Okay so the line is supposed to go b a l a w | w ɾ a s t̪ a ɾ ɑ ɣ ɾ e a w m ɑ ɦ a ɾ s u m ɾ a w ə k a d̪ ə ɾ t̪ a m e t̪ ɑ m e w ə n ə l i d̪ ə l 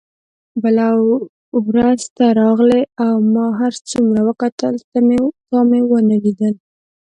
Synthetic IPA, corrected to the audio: b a l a w | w ɾ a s t̪ a ɾ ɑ ɣ l e a w m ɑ ɦ a ɾ t͡s u m ɾ a w ə k a t̪ ə l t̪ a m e t̪ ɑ m e w ə n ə l i d̪ ə l